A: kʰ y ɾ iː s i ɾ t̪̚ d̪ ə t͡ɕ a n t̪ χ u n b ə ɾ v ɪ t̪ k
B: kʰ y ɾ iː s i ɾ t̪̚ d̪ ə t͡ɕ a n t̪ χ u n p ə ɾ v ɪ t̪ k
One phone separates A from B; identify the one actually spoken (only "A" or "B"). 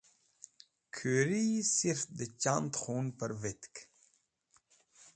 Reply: B